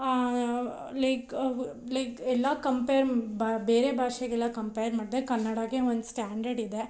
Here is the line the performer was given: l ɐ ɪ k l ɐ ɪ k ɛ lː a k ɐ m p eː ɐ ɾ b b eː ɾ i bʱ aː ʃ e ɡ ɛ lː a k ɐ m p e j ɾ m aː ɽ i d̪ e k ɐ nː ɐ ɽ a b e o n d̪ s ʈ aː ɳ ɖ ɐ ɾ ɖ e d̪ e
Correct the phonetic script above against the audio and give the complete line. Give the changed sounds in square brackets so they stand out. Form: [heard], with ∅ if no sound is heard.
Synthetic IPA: l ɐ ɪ k l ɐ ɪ k ɛ lː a k ɐ m p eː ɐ ɾ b b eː ɾ [e] bʱ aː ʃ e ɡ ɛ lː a k ɐ m p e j ɾ m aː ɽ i d̪ e k ɐ nː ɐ ɽ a [ɡ] e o n d̪ s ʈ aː ɳ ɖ ɐ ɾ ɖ [i] d̪ e